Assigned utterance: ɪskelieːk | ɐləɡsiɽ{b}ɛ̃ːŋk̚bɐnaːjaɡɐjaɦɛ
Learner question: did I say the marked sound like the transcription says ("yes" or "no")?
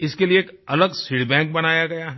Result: yes